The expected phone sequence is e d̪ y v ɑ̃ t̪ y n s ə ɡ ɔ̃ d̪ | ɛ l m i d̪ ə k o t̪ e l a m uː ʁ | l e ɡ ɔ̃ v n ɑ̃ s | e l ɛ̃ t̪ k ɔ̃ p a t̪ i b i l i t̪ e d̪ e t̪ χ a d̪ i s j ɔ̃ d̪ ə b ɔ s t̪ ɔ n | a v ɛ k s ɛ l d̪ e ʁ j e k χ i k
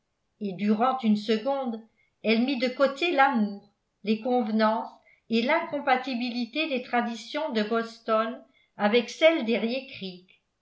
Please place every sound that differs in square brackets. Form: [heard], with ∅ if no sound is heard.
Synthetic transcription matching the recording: e d̪ y [ʁ] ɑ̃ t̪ y n s ə ɡ ɔ̃ d̪ | ɛ l m i d̪ ə k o t̪ e l a m uː ʁ | l e [k] ɔ̃ v n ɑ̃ s | e l ɛ̃ [∅] k ɔ̃ p a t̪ i b i l i t̪ e d̪ e t̪ χ a d̪ i s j ɔ̃ d̪ ə b ɔ s t̪ ɔ n | a v ɛ k s ɛ l d̪ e ʁ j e k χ i k